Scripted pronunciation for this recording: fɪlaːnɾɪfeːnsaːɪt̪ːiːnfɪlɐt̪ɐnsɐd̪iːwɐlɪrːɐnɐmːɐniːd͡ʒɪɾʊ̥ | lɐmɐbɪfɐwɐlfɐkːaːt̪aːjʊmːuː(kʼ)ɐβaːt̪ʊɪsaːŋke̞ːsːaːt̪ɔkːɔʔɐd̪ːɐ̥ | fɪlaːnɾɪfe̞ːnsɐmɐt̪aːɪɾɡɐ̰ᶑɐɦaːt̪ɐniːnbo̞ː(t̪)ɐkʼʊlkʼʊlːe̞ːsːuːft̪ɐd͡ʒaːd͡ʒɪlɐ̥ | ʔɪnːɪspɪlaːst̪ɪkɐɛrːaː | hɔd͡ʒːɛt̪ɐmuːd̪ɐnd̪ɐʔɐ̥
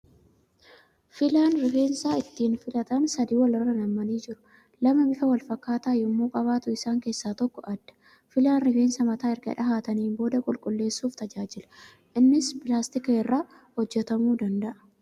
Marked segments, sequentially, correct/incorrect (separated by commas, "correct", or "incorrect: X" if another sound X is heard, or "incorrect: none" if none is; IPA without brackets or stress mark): correct, incorrect: d̪